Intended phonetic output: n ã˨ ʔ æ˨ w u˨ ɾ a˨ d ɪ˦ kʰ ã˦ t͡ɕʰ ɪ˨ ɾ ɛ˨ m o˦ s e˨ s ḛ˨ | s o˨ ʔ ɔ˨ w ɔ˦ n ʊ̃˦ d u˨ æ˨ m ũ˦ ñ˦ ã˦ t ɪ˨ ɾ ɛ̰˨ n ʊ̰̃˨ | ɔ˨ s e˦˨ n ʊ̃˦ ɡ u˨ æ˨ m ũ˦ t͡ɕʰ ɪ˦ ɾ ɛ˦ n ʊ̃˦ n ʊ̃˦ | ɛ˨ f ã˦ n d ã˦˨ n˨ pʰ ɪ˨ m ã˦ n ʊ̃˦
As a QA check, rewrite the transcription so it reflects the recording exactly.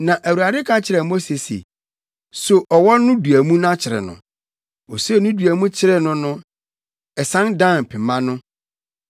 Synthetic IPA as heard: n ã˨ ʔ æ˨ w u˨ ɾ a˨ d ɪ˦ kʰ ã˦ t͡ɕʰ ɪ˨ ɾ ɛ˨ m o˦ s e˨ s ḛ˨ | s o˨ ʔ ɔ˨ w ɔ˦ n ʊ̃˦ d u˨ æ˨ m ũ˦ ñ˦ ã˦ t͡ɕʰ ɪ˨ ɾ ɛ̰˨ n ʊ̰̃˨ | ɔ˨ s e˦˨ n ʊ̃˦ d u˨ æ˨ m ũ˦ t͡ɕʰ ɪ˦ ɾ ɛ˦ n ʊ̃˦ n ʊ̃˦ | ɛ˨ s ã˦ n d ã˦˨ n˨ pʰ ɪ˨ m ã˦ n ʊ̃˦